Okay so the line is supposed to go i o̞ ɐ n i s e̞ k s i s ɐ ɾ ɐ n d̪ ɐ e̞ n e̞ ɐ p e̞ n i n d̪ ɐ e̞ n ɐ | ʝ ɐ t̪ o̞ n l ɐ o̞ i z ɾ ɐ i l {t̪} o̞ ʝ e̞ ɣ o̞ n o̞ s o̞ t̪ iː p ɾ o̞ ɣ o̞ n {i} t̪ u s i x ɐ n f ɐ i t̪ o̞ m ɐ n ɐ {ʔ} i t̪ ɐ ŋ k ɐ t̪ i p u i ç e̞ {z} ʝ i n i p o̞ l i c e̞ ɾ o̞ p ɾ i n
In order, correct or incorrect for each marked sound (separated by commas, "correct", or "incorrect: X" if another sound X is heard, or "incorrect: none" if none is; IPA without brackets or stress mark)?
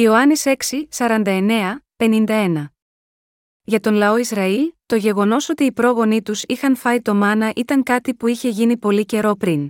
correct, correct, correct, incorrect: none